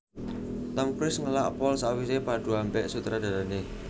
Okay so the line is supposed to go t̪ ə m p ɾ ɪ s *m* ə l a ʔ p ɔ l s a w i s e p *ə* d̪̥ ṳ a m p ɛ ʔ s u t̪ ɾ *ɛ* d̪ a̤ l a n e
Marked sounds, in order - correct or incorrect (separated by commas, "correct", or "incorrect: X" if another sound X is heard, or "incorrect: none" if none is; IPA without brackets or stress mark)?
incorrect: ŋ, incorrect: a, incorrect: a